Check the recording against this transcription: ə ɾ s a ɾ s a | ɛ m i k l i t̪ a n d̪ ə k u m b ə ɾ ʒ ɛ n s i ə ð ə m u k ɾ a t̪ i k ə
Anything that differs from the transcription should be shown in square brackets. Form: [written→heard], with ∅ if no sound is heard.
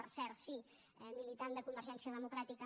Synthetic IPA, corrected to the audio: ə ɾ s [a→ɛ] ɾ s [a→i] | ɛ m i [k→∅] l i t̪ a n d̪ ə k u m b ə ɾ ʒ ɛ n s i ə ð ə m u k ɾ a t̪ i k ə